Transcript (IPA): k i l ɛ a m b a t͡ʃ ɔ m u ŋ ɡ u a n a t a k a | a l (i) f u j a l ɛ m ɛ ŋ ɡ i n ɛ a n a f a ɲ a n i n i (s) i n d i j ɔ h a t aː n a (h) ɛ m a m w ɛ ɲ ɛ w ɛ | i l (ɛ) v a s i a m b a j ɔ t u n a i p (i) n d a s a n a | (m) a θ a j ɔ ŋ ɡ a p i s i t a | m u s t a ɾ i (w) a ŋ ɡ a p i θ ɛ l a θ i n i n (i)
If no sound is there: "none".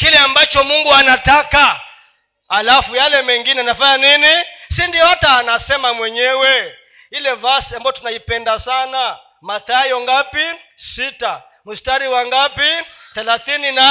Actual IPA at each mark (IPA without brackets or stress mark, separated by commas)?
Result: a, s, s, ɛ, ɛ, m, w, a